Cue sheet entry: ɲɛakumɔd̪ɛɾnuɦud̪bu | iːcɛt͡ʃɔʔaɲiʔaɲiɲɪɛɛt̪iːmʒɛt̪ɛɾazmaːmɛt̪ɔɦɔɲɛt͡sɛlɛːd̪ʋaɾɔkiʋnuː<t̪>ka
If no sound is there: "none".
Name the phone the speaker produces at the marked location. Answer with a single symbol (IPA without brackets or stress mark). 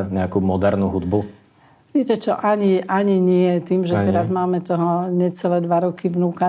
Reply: none